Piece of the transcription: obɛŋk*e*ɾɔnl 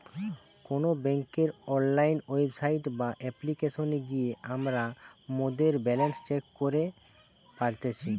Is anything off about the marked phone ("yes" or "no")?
no